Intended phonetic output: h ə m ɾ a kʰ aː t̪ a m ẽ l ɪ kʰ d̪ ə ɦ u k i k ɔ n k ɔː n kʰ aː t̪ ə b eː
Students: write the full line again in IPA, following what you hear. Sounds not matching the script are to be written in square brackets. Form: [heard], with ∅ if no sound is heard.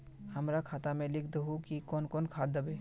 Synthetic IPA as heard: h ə m ɾ a kʰ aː t̪ a m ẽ l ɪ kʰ d̪ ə ɦ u k i k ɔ n k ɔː n kʰ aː [d̪] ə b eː